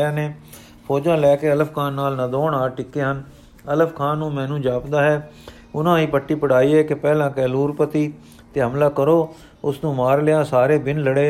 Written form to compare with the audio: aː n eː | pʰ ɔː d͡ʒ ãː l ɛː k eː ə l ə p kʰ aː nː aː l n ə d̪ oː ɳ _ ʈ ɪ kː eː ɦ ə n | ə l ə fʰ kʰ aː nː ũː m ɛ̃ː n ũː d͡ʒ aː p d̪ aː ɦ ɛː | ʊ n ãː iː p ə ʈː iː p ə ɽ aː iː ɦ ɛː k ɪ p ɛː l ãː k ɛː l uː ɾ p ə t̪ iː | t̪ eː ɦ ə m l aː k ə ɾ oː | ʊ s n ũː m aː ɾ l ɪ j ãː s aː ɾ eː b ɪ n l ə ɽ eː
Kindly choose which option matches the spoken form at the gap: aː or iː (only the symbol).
aː